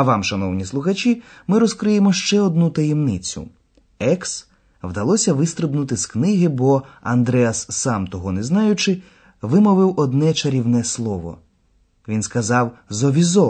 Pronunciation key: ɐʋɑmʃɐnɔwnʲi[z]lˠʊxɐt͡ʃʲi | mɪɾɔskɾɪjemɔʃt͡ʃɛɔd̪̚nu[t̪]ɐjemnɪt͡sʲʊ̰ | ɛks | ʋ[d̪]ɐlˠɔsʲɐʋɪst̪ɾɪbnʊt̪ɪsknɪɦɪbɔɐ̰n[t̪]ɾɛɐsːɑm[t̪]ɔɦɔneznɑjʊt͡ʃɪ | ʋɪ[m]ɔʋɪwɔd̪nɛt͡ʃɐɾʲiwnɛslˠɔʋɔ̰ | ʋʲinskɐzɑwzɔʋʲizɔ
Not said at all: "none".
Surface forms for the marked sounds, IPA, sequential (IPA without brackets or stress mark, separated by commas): s, t̪, d̪, d̪, t̪, m